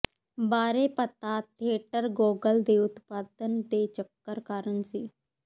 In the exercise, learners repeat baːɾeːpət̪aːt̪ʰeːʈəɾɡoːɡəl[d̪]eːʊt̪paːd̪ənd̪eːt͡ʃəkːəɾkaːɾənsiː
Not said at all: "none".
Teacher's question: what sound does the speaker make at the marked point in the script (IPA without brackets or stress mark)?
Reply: d̪